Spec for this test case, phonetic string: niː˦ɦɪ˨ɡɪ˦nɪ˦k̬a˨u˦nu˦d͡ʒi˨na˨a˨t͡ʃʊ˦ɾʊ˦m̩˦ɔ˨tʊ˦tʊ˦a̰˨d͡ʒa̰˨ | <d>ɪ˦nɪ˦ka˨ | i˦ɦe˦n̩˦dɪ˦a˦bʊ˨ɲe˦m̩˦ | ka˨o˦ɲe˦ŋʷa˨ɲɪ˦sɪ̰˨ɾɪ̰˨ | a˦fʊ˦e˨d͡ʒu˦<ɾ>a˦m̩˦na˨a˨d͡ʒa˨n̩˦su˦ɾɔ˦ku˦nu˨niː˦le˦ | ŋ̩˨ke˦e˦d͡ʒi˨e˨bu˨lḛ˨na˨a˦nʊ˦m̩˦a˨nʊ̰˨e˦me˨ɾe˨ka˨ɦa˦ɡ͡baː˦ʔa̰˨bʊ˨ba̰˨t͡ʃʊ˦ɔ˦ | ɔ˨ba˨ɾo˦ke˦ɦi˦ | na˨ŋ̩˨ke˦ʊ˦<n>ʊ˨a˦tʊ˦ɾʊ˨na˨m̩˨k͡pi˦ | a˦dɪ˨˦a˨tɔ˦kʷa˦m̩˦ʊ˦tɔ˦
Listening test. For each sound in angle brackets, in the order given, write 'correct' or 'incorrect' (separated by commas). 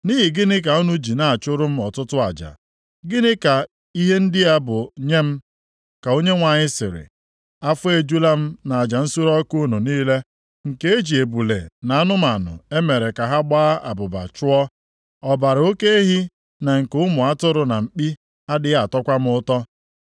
incorrect, incorrect, incorrect